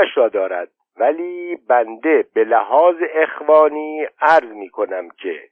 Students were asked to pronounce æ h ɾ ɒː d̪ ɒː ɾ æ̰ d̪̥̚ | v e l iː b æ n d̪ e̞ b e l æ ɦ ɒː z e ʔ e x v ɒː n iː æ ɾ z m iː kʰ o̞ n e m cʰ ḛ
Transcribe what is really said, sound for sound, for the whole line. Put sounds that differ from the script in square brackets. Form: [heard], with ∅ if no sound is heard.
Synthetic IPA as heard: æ [ʃ] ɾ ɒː d̪ ɒː ɾ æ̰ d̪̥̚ | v [æ] l iː b æ n d̪ e̞ b e l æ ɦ ɒː z e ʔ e x v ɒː n iː æ ɾ z m iː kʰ o̞ n [æ] m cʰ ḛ